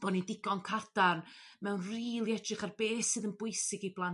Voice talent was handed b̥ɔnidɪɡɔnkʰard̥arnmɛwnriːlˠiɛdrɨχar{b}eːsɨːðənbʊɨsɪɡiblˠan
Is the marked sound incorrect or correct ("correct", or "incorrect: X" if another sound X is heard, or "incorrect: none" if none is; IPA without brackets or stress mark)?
correct